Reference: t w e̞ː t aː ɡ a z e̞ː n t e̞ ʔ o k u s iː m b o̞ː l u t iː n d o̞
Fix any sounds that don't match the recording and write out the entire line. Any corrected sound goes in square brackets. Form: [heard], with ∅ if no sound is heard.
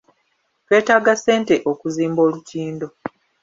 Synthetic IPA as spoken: t w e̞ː t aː ɡ a [s] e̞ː n t e̞ ʔ o k u [z] iː m b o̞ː l u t iː n d o̞